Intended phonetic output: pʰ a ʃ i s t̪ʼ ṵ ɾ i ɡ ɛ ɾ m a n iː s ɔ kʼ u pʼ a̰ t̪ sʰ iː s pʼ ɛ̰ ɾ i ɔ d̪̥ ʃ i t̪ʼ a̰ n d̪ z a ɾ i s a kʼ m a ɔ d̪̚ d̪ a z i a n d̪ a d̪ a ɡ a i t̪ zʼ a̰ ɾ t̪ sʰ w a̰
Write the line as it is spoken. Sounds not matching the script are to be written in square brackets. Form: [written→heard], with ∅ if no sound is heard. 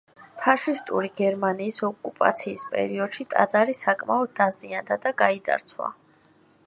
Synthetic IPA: pʰ a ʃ i s t̪ʼ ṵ ɾ i ɡ ɛ ɾ m a n iː s ɔ kʼ u pʼ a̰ t̪ sʰ iː s pʼ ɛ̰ ɾ i ɔ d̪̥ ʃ i t̪ʼ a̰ [n→∅] d̪ z a ɾ i s a kʼ m a ɔ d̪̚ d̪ a z i a n d̪ a d̪ a ɡ a i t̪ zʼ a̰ ɾ t̪ sʰ w a̰